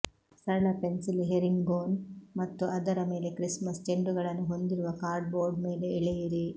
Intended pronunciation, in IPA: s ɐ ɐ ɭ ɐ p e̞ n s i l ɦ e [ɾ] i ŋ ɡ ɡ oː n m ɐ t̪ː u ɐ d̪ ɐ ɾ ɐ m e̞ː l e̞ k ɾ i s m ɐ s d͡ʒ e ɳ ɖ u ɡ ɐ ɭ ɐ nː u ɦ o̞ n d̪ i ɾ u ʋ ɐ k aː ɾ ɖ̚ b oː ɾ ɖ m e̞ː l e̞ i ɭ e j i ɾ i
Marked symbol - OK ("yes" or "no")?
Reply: yes